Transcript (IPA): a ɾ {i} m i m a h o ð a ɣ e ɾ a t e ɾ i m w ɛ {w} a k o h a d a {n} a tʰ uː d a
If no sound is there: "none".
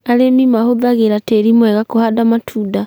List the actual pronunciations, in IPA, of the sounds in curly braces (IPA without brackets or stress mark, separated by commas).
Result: e, ɣ, m